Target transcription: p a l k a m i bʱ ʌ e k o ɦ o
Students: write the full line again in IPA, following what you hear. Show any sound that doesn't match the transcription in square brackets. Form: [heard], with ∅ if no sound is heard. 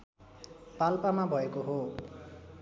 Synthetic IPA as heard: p a l [p] a m [a] bʱ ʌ e k o ɦ o